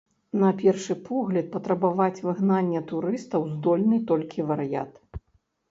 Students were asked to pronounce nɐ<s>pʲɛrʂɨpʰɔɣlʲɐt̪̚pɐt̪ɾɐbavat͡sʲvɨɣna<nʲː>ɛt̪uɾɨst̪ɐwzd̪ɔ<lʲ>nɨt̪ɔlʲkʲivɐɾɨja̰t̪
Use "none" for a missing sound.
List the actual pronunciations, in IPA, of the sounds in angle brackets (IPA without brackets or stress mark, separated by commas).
none, nʲː, lʲ